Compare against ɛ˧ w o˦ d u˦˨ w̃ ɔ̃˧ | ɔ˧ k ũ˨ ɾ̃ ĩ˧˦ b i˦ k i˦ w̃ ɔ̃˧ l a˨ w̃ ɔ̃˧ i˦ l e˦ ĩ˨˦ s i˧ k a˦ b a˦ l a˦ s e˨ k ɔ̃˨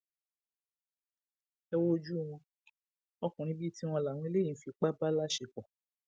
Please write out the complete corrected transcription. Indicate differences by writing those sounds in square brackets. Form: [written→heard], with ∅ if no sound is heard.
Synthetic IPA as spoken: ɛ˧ w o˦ [d→d͡ʒ] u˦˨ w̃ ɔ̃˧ | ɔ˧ k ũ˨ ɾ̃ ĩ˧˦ b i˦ [k→t] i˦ w̃ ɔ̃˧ l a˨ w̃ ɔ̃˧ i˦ l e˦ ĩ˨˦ [s→f] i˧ [k→k͡p] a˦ b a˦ l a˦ [s→ʃ] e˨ k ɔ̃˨